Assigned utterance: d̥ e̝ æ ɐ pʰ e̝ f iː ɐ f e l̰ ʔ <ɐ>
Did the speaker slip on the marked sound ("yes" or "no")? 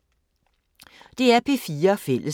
yes